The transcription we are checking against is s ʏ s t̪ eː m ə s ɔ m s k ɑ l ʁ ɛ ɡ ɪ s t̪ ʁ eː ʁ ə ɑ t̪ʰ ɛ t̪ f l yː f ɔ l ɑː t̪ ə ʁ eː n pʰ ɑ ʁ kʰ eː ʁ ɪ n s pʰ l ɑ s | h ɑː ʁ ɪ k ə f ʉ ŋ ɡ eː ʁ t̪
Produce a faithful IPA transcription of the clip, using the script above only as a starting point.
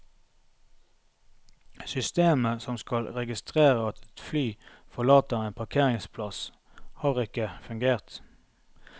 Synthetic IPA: s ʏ s t̪ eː m ə s ɔ m s k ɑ l ʁ ɛ ɡ ɪ s t̪ ʁ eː ʁ ə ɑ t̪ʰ ɛ t̪ f l yː f ɔ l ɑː t̪ ə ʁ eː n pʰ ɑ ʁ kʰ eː ʁ ɪ ŋ s pʰ l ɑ s | h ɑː ʁ ɪ k ə f ʉ ŋ ɡ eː ʁ t̪